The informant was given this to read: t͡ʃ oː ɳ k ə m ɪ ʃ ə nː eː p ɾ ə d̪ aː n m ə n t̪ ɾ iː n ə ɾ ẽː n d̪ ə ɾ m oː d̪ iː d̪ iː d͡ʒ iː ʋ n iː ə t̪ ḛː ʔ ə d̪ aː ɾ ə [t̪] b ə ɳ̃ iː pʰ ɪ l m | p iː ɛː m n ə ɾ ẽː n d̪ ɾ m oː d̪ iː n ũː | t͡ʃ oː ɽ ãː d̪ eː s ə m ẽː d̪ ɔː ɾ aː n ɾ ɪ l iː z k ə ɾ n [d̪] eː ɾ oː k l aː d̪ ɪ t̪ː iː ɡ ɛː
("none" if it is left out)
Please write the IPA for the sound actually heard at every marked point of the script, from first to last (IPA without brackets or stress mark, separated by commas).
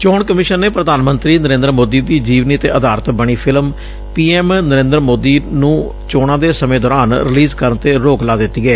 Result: t̪, t̪